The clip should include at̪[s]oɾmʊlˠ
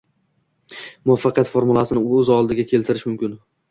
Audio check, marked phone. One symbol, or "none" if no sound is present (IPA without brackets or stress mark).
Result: f